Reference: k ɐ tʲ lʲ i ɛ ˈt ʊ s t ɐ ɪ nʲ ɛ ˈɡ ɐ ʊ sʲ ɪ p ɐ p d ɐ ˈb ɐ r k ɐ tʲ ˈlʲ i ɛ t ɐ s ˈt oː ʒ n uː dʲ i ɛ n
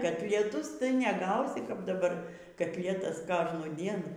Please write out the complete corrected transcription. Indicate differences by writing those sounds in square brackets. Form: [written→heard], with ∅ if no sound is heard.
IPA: k ɐ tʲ lʲ i ɛ ˈt ʊ s t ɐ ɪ nʲ ɛ ˈɡ ɐ ʊ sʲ ɪ [p→k] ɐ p d ɐ ˈb ɐ r k ɐ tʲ ˈlʲ i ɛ t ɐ s [ˈt→ˈk] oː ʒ n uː dʲ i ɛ n